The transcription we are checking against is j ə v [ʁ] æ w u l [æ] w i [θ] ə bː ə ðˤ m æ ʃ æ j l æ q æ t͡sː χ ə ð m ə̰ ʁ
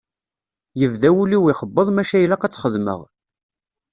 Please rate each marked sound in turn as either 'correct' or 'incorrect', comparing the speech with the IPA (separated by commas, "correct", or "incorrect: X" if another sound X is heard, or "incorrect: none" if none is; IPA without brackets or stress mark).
incorrect: ð, incorrect: i, incorrect: χ